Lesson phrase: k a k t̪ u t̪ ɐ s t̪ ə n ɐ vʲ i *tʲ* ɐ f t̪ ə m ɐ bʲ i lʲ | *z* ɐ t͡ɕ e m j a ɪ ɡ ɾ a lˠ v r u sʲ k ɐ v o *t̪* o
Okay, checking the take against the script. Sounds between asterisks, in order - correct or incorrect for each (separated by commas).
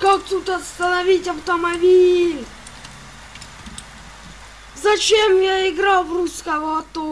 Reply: correct, correct, correct